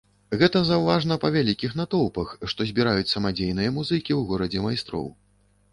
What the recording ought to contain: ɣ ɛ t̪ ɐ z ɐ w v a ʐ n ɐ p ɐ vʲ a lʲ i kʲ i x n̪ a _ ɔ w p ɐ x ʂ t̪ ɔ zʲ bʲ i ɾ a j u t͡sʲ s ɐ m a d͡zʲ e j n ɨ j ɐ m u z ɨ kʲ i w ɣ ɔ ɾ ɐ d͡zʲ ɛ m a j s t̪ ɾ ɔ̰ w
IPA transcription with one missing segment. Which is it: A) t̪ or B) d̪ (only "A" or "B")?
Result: A